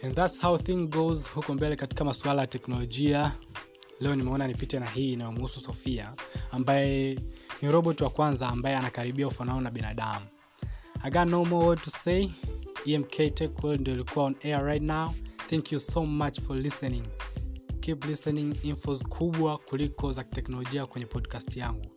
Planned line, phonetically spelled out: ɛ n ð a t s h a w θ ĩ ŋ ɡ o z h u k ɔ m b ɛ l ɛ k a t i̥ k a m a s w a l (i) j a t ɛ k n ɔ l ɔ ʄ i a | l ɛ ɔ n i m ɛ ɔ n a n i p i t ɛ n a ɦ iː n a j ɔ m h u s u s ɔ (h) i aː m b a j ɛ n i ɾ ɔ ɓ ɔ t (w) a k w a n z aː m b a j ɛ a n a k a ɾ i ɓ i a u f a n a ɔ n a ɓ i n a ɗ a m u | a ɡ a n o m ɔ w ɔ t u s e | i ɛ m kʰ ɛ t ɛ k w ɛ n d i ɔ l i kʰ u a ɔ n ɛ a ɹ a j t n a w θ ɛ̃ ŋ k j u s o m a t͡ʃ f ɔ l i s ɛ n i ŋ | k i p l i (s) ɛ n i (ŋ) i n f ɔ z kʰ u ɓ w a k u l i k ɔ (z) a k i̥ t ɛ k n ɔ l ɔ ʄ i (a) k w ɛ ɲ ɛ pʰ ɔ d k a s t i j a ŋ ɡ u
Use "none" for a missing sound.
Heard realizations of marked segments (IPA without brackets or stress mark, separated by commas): a, f, w, s, ŋ, z, a